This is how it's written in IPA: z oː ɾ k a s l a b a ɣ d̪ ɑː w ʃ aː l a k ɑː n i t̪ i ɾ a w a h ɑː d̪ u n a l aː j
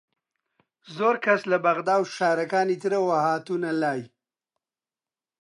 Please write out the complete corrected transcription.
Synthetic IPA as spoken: z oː ɾ k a s l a b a ɣ d̪ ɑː w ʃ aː ɾ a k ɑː n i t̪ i ɾ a w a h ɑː t̪ u n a l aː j